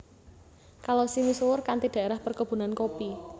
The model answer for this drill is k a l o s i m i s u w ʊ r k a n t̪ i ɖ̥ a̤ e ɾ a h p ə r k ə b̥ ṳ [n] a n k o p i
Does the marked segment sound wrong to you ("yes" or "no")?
no